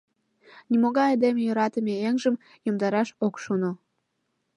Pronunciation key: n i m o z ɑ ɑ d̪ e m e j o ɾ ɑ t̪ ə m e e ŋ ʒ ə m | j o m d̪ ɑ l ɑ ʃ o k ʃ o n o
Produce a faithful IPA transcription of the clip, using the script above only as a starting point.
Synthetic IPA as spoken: n i m o ɣ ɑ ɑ d̪ e m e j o ɾ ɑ t̪ ə m e e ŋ ʒ ə m | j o m d̪ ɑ ɾ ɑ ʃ o k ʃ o n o